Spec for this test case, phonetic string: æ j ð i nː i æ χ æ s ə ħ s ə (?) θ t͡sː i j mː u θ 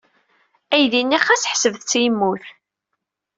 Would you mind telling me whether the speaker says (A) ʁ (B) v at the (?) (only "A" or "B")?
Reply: B